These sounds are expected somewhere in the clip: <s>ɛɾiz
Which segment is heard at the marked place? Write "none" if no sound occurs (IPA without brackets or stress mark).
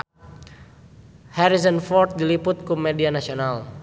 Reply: h